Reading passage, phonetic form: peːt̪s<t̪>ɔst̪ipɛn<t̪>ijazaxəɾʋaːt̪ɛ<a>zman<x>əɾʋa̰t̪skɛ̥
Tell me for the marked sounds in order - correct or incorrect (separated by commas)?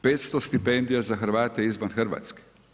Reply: correct, incorrect, incorrect, correct